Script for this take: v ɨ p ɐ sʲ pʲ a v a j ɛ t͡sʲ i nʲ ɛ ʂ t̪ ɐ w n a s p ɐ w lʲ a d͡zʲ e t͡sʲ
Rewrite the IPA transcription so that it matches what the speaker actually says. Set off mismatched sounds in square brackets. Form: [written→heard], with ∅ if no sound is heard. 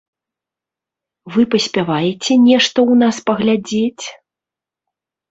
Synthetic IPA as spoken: v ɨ p ɐ sʲ pʲ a v a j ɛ t͡sʲ [i→ɛ] nʲ ɛ ʂ t̪ ɐ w n a s p ɐ [w→ɣ] lʲ a d͡zʲ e t͡sʲ